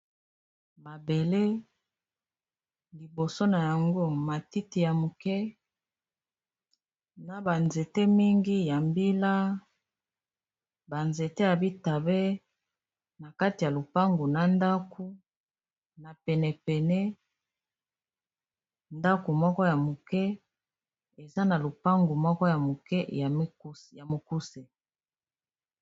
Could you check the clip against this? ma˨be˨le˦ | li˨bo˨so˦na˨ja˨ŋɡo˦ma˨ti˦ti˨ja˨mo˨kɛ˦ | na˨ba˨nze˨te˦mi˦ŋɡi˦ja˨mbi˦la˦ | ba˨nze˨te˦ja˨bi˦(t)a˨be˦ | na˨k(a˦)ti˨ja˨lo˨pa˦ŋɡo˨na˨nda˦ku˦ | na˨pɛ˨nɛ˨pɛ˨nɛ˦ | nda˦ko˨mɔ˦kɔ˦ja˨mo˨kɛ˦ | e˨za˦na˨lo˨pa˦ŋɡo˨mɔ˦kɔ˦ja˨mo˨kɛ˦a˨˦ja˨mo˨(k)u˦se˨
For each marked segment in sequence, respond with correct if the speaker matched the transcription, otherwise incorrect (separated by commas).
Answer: correct, correct, correct